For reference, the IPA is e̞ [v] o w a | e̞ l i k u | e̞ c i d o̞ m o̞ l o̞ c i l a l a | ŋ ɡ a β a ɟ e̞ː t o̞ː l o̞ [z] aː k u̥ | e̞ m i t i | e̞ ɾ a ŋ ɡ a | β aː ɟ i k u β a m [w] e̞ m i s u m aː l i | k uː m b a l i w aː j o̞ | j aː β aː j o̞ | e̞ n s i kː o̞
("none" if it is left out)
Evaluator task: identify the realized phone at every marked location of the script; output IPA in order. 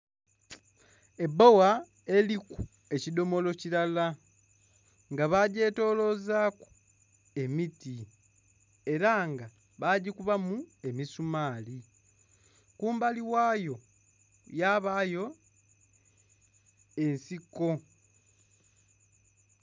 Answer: b, z, u

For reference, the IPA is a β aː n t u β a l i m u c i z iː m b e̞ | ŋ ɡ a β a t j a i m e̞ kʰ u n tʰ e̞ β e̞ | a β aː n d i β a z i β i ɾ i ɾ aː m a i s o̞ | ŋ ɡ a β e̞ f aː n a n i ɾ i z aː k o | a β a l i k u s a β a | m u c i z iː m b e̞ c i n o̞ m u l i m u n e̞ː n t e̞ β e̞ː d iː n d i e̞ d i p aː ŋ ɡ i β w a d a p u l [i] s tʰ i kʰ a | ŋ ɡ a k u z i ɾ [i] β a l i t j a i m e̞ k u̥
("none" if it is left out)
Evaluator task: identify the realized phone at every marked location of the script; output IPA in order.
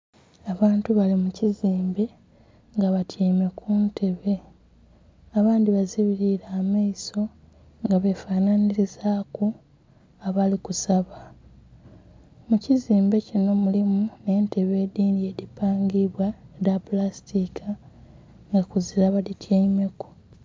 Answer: a, a

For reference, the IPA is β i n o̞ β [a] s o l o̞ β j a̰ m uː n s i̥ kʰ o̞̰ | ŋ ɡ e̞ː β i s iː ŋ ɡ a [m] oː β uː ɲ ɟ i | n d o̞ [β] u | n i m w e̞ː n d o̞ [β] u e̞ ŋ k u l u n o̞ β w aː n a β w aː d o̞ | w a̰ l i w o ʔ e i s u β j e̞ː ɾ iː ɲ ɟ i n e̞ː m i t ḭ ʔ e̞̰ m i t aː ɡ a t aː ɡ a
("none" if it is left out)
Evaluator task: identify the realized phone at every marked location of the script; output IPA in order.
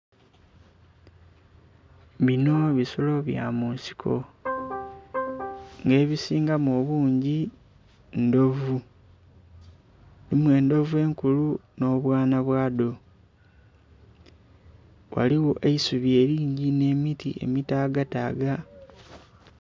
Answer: i, m, v, v

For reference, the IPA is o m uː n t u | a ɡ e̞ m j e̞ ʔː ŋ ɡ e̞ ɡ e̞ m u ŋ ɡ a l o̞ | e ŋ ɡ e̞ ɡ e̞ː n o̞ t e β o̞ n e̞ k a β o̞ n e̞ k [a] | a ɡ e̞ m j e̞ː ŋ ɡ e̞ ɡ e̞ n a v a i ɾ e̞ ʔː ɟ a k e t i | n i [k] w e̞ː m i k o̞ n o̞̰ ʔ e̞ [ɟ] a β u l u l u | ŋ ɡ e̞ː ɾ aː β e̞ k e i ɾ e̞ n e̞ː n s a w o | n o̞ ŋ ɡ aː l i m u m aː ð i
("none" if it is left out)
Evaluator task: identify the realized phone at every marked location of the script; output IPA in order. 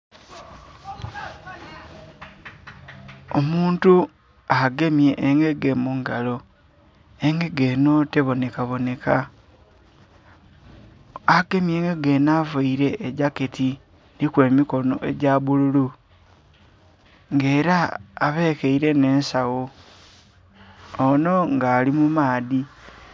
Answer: a, k, ɟ

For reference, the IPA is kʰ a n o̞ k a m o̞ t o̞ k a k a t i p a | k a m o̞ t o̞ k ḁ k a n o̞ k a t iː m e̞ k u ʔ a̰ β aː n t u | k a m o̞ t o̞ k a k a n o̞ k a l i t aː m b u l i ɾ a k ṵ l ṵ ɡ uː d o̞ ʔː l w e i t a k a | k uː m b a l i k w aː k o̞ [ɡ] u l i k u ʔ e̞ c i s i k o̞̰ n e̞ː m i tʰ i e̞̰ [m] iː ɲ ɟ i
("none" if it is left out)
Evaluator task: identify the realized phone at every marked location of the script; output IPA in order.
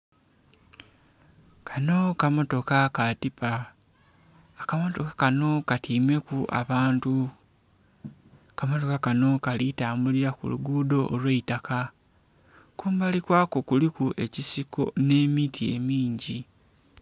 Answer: k, m

